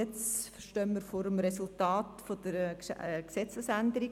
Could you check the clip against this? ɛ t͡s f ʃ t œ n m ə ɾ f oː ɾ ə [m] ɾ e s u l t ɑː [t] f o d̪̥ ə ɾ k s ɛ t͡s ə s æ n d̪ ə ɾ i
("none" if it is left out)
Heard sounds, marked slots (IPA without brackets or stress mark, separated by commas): m, t